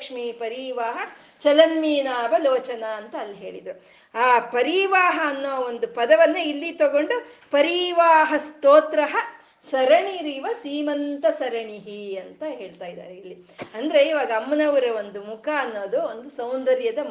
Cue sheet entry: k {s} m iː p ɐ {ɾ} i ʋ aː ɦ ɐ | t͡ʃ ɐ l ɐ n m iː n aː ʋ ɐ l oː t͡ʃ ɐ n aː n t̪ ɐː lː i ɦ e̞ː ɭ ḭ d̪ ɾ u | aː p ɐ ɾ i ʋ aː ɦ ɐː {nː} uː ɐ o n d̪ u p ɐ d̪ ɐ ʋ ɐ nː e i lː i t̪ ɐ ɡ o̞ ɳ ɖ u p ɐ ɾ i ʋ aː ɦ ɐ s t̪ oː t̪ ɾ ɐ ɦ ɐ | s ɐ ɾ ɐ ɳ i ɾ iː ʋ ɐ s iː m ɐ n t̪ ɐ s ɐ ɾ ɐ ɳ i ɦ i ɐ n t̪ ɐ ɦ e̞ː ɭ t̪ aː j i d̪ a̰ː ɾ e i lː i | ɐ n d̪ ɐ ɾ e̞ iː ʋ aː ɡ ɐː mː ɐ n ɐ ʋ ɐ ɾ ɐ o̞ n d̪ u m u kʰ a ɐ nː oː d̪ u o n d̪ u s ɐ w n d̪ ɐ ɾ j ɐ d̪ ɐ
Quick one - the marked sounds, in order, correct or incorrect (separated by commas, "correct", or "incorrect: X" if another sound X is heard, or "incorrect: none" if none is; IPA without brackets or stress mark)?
incorrect: ʂ, correct, correct